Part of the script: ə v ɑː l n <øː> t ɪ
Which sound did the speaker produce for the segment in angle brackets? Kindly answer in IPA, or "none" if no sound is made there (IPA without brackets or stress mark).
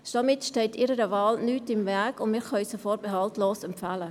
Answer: yː